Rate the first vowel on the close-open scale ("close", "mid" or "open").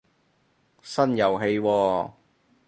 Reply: open